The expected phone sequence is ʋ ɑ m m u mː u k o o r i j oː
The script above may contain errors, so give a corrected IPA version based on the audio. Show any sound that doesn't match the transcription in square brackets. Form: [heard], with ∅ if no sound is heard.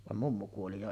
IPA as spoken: ʋ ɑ m m u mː u k [u] o [l] i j [o]